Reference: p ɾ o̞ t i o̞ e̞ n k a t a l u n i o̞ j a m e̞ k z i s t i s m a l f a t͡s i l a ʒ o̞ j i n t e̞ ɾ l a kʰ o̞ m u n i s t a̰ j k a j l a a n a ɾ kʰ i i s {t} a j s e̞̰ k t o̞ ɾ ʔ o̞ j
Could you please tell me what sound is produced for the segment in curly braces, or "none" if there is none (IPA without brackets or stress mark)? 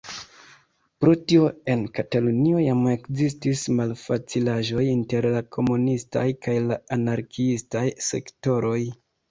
t